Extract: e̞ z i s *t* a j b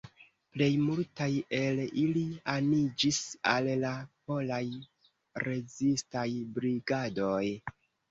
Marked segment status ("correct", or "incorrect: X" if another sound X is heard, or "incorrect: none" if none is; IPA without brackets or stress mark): correct